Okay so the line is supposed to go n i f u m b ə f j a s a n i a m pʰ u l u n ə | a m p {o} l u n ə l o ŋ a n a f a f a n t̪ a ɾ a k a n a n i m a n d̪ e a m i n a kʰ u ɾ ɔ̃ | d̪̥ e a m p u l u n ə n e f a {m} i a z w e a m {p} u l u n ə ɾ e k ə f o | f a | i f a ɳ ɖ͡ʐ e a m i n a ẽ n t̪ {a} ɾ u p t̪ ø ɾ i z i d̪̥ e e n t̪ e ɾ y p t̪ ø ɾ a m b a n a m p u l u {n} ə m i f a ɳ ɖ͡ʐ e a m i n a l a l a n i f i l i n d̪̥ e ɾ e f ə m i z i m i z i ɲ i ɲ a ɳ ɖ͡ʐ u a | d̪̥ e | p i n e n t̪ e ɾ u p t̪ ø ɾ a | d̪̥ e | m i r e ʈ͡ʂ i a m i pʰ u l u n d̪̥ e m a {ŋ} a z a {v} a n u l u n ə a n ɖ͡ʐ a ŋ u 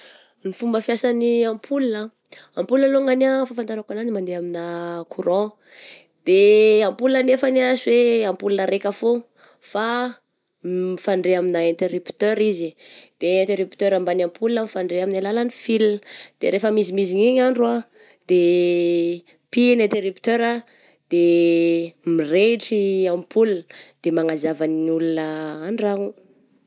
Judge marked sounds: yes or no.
no, no, yes, no, yes, yes, yes

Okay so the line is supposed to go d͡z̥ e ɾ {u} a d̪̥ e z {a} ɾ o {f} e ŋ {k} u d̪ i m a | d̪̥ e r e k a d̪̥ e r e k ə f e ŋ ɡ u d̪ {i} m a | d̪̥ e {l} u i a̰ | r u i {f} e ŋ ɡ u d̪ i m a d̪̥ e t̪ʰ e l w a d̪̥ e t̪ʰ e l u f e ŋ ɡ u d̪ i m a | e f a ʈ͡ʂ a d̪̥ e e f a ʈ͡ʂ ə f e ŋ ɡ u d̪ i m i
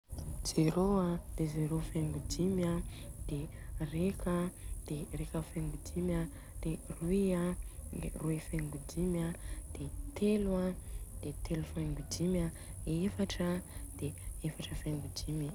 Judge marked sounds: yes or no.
no, no, yes, no, yes, no, yes

